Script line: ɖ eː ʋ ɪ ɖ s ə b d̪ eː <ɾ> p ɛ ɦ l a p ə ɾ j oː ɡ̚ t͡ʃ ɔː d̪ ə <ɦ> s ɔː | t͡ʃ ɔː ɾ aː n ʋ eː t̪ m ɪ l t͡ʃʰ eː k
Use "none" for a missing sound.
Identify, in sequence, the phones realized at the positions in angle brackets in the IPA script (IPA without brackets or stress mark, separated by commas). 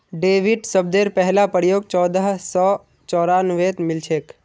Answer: ɾ, ɦ